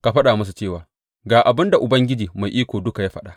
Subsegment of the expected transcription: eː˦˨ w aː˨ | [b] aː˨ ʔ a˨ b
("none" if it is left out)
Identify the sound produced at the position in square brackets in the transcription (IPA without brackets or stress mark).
ɡ